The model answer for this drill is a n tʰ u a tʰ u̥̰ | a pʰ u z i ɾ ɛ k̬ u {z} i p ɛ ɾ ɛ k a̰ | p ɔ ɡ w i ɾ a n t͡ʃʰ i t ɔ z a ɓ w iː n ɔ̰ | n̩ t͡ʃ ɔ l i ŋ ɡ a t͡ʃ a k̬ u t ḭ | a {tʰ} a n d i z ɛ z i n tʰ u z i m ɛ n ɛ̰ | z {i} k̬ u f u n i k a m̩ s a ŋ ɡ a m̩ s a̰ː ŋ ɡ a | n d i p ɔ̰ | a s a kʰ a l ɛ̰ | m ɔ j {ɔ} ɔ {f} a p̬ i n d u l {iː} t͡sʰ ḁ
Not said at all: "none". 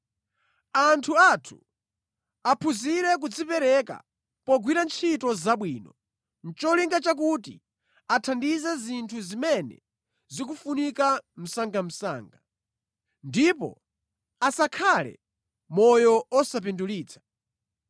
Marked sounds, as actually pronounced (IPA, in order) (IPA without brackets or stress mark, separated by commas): d͡z, tʰ, i, ɔ, s, iː